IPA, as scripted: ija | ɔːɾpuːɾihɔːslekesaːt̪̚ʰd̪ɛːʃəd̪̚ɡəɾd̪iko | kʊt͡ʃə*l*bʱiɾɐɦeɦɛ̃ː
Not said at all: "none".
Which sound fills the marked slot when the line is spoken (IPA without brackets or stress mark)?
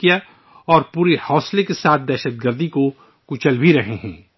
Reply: l